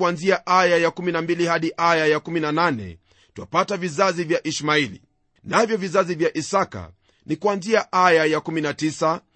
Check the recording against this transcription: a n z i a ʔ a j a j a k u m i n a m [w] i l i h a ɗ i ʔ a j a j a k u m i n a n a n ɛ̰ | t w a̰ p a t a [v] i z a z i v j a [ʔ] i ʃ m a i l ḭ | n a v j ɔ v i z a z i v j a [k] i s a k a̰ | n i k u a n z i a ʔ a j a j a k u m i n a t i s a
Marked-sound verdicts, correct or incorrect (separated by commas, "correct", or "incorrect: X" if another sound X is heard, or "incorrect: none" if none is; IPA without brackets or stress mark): incorrect: b, correct, correct, incorrect: ʔ